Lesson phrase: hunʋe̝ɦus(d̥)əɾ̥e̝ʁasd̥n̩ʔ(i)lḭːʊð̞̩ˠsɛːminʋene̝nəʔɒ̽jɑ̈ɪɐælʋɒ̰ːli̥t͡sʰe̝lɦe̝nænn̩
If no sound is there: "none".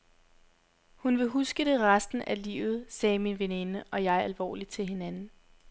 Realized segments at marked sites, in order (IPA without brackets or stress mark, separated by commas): ɡ̥, æ